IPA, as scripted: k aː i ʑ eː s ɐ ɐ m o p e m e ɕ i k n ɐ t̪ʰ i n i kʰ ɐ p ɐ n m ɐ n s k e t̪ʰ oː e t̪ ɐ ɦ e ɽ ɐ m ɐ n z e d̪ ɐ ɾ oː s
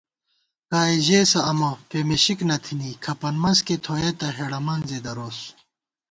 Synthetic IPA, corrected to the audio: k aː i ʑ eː s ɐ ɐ m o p e m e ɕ i k n ɐ t̪ʰ i n i kʰ ɐ p ɐ n m ɐ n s k e t̪ʰ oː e t̪ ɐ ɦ e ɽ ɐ m ɐ n z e d̪ ɐ ɾ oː s